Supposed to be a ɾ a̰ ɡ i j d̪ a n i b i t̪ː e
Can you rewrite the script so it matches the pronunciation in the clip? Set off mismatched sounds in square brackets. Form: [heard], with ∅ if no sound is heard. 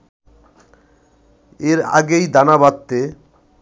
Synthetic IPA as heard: [e] ɾ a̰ ɡ [e] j d̪ a n [a] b [a] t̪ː e